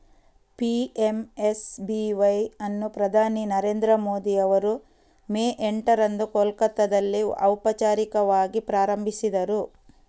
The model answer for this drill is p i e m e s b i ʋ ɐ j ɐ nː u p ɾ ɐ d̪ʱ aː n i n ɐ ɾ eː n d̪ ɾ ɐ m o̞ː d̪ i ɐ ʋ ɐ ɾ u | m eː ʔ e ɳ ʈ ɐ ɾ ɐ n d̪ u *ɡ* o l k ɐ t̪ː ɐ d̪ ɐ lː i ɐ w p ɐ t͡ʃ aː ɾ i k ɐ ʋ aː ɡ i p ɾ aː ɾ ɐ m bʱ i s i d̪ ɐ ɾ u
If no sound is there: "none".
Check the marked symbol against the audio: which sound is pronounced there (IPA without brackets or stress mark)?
k